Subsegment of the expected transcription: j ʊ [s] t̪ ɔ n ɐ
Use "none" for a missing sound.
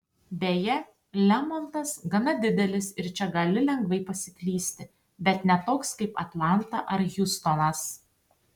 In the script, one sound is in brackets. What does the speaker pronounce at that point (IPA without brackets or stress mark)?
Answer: s